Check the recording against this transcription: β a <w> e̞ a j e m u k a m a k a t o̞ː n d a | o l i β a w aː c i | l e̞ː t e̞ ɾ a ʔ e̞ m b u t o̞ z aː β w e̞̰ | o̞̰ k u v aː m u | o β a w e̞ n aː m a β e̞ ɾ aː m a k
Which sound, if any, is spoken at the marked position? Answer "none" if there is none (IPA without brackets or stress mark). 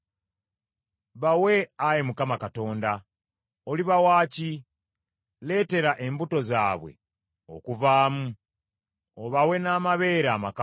w